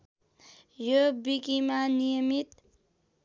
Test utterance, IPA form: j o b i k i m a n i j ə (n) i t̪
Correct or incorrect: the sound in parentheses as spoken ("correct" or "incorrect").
incorrect